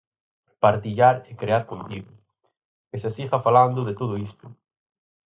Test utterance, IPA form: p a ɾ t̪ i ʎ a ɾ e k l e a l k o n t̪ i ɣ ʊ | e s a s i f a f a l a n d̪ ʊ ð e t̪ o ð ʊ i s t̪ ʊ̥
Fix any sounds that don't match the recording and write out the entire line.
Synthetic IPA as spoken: p a ɾ t̪ i ʎ a ɾ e k ɾ e a ɾ k o n t̪ i ɣ ʊ | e s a s i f a f a l a n d̪ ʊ ð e t̪ o ð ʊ i s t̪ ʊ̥